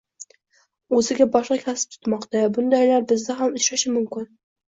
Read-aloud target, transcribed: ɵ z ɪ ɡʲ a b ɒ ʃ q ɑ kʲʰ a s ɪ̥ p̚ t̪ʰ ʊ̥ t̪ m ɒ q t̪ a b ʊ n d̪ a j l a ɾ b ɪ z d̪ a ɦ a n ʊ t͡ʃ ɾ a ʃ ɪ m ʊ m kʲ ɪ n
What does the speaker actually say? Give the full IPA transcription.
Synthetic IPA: ɵ z ɪ ɡʲ a b ɒ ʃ q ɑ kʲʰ a s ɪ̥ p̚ t̪ʰ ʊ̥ t̪ m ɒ q t̪ a b ʊ n d̪ a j l a ɾ b ɪ z d̪ a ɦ a m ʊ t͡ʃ ɾ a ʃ ɪ m ʊ m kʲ ɪ n